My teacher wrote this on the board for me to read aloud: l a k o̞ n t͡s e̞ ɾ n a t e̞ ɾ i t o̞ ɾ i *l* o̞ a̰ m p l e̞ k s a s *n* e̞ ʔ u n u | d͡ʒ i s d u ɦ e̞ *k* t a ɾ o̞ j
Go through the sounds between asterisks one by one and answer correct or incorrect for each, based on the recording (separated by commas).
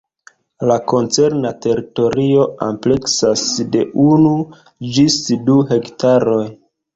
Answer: incorrect, incorrect, correct